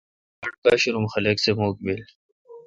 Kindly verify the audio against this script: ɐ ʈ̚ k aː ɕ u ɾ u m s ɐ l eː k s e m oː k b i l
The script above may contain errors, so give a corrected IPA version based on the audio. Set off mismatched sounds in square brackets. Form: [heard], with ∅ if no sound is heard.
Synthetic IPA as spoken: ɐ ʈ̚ k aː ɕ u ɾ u m [x] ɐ l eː k s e m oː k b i l